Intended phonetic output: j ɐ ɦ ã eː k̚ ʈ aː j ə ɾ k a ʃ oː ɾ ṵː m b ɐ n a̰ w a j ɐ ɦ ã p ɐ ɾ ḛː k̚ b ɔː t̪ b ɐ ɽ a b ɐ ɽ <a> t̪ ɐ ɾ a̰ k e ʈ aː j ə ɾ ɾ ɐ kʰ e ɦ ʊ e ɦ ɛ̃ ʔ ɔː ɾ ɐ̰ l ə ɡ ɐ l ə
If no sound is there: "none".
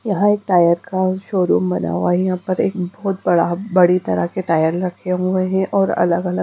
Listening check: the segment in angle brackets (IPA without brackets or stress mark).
i